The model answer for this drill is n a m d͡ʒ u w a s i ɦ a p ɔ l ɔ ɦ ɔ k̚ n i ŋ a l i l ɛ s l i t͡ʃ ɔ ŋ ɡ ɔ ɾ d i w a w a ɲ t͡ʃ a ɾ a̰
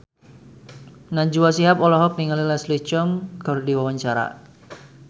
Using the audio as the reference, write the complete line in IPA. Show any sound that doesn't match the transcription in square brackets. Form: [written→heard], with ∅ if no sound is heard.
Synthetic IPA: n a [m→ɲ] d͡ʒ u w a s i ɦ a p ɔ l ɔ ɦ ɔ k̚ n i ŋ a l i l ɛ s l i t͡ʃ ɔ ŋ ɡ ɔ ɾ d i w a w a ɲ t͡ʃ a ɾ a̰